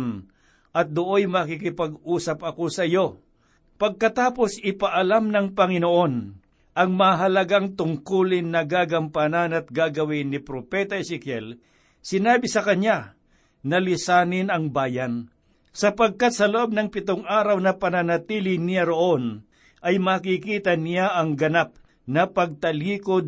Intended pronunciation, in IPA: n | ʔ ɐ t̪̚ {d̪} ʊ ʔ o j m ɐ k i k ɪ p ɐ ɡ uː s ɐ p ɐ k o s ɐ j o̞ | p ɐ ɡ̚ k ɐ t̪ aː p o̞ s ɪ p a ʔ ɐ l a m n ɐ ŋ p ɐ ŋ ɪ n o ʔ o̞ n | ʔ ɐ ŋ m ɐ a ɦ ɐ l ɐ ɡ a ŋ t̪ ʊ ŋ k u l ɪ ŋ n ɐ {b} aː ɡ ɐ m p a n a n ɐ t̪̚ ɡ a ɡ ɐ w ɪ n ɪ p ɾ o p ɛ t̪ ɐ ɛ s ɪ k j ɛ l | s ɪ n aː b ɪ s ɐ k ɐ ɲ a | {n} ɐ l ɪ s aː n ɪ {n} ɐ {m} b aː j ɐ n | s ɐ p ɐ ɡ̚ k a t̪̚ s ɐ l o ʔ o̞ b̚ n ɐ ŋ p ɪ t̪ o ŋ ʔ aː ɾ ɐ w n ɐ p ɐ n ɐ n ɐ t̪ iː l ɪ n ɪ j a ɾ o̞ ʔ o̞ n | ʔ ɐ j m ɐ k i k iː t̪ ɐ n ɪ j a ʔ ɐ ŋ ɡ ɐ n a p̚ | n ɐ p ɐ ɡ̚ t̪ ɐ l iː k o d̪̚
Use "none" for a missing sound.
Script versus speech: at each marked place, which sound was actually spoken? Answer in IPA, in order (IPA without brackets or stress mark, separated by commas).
d̪, ɡ, n, n, ŋ